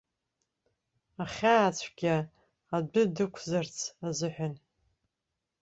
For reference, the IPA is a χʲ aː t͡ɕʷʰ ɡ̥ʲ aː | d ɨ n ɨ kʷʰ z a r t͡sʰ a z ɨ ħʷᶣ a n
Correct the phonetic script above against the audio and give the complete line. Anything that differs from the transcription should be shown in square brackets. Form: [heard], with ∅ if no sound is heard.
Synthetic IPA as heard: a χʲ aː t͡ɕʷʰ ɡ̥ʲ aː | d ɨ [d] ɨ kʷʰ z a r t͡sʰ a z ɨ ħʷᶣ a n